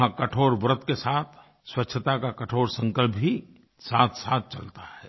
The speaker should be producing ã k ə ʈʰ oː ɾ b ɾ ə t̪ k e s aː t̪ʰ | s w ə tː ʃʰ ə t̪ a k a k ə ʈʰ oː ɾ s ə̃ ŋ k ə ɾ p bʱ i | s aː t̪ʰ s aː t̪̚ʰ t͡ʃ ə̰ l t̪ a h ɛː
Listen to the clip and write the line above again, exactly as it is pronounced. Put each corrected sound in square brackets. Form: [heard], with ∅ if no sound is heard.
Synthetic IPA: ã k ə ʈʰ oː ɾ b ɾ ə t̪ k e s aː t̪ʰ | s w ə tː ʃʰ ə t̪ a k a k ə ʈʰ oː ɾ s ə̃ ŋ k ə [l] p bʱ i | s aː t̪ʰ s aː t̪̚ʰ t͡ʃ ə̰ l t̪ a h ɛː